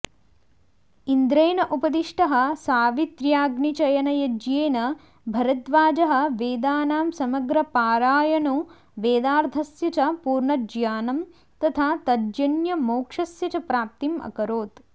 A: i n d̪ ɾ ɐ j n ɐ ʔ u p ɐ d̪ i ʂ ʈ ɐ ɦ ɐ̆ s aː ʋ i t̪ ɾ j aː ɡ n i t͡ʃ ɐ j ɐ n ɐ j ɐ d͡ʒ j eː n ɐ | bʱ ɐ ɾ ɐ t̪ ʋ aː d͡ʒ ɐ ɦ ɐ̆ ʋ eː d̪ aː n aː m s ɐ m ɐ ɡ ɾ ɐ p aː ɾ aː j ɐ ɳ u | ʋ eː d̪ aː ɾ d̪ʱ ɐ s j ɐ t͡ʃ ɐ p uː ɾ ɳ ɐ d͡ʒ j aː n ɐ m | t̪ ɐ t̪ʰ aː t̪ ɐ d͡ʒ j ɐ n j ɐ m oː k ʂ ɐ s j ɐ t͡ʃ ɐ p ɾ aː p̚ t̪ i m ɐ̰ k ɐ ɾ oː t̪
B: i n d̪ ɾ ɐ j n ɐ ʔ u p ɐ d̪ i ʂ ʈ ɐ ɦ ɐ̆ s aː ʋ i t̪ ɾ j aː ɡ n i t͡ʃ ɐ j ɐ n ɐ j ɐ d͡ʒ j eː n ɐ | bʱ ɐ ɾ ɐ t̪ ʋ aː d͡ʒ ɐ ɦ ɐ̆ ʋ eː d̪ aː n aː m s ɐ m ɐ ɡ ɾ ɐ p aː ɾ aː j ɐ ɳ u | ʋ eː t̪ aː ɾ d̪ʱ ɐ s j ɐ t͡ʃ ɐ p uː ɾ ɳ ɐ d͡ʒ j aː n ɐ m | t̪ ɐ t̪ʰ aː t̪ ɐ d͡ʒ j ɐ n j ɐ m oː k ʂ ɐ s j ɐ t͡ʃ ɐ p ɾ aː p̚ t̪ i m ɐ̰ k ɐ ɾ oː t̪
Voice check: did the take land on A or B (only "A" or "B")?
A